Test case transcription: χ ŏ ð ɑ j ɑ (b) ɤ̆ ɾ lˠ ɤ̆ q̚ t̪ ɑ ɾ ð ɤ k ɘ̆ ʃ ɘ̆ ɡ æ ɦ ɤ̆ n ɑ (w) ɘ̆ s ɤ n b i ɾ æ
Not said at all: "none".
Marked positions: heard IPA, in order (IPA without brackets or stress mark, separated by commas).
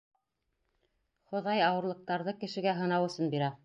w, w